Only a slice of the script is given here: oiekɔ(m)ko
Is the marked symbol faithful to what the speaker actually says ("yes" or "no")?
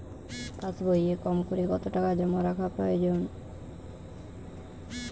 yes